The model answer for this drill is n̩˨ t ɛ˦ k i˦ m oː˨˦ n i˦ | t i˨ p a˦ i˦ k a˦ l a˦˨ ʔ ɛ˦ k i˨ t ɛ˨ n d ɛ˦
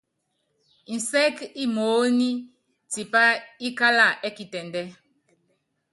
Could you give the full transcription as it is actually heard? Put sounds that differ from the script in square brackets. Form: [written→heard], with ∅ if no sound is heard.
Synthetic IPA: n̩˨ [t→s] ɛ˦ k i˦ m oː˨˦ n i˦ | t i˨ p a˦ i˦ k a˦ l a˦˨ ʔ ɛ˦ k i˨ t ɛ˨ n d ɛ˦